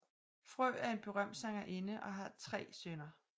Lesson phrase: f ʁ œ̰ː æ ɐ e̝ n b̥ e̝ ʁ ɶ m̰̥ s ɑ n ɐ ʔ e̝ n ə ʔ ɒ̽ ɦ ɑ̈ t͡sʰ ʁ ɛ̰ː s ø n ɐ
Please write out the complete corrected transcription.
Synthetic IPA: f ʁ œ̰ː æ ɐ e̝ n b̥ e̝ ʁ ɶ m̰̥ s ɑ ŋ ɐ ʔ e̝ n ə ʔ ɒ̽ ɦ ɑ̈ t͡sʰ ʁ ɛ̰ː s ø n ɐ